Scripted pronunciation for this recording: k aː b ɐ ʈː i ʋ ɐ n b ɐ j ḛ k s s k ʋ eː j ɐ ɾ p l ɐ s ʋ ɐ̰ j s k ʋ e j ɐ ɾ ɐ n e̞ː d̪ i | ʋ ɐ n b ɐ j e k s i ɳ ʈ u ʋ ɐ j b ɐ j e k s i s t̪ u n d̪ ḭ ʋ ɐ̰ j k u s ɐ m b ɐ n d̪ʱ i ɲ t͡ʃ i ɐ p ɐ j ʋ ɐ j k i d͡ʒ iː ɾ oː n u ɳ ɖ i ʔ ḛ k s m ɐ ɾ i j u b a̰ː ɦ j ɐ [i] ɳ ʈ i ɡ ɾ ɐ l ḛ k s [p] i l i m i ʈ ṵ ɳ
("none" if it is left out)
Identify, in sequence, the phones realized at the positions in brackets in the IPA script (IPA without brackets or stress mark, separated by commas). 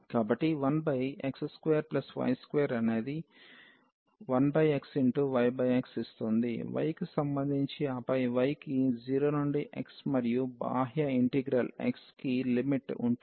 i, k